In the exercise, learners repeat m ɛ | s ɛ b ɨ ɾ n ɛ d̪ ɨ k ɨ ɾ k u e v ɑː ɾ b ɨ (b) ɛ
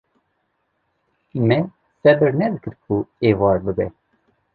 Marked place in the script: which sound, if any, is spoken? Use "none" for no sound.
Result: b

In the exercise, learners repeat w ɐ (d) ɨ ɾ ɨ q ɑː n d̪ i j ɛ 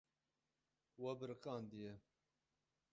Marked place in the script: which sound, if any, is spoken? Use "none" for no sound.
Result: b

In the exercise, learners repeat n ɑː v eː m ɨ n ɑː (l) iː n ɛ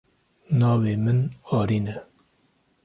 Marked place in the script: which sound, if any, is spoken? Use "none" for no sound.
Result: ɾ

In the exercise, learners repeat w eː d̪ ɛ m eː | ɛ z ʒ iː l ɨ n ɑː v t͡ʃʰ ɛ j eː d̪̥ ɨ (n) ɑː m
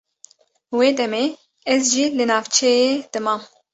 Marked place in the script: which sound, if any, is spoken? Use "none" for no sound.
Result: m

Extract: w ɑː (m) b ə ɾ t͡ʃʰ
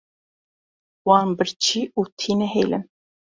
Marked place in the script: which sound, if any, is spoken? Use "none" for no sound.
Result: n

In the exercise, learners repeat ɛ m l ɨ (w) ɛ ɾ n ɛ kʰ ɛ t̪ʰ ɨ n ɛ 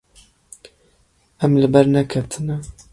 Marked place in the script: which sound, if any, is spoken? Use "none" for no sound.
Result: b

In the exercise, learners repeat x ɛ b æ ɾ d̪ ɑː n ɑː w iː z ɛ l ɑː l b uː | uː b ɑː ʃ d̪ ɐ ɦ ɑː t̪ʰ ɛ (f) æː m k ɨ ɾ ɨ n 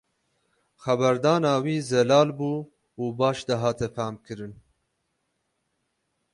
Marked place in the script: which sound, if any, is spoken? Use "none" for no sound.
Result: f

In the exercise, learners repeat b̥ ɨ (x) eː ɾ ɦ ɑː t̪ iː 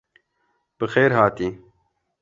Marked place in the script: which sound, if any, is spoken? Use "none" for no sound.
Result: x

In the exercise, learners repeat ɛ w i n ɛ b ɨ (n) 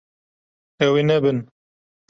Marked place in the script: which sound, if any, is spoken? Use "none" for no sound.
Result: n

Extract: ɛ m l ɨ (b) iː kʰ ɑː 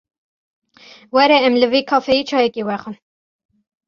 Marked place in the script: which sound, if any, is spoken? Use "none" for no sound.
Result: v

